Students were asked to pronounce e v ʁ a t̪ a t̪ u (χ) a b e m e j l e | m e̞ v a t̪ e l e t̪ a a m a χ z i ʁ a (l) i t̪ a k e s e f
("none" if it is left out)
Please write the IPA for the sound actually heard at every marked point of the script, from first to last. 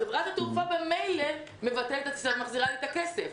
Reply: f, l

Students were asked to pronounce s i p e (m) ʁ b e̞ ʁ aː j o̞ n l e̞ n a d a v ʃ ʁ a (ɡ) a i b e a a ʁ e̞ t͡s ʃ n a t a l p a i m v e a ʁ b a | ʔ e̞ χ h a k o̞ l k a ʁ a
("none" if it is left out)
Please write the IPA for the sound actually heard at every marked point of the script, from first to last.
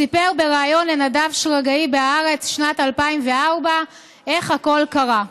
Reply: none, ɡ

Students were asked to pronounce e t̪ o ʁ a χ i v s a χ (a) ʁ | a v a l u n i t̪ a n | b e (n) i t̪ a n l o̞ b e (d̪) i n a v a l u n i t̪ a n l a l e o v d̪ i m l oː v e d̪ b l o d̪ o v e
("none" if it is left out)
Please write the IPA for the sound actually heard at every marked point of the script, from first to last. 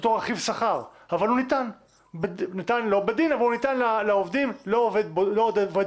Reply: a, n, d̪

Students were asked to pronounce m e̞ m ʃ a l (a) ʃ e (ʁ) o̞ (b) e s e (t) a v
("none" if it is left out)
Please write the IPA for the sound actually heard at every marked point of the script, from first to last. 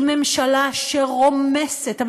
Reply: a, ʁ, m, t

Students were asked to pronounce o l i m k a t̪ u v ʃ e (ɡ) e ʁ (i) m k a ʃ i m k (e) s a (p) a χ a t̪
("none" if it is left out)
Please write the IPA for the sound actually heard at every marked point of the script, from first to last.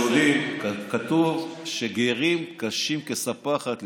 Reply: ɡ, i, e, p

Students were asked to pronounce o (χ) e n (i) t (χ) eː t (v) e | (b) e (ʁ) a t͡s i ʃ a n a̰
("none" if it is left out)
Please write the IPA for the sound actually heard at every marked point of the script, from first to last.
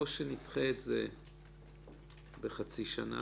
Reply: ʃ, i, χ, z, b, χ

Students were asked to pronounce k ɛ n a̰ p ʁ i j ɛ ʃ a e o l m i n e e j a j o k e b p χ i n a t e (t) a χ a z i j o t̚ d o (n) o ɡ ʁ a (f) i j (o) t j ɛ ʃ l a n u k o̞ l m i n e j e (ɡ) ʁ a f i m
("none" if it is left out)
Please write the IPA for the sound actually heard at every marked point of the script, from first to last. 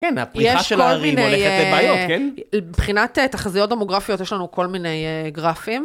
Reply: t, m, f, o, ɡ

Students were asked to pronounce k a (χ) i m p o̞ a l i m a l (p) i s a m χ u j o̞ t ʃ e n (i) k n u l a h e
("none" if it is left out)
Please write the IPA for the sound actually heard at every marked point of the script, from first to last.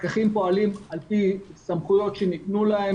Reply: χ, p, i

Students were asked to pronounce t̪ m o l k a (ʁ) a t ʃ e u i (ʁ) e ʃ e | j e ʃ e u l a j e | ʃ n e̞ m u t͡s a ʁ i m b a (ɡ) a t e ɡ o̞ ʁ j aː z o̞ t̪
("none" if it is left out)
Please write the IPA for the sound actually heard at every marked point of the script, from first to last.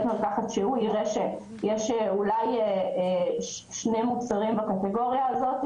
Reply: χ, ʁ, k

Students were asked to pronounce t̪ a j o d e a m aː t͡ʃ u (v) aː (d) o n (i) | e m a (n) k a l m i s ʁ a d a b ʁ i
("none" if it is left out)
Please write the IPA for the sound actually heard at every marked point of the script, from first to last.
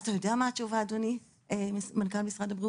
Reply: v, d, i, n

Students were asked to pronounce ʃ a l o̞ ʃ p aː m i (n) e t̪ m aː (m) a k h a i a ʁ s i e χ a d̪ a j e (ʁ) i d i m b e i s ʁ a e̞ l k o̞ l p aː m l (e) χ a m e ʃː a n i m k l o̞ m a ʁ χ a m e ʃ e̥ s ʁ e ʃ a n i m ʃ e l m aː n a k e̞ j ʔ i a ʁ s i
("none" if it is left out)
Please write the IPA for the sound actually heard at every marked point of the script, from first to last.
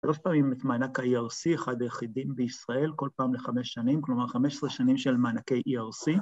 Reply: m, n, χ, e

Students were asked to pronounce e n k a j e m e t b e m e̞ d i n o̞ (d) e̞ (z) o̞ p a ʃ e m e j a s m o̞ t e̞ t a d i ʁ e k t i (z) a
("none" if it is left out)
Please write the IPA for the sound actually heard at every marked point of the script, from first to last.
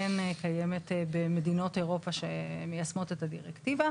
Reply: t, ʁ, v

